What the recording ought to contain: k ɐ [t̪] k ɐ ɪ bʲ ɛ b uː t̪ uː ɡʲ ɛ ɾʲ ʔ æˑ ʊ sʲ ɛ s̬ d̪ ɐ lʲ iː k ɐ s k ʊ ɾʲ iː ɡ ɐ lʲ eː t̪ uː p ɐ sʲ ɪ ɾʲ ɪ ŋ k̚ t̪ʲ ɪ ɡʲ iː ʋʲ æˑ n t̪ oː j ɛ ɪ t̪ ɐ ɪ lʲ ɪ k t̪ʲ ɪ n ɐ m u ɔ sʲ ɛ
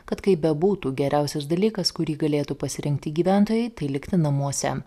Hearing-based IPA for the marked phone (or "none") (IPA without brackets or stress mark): t̪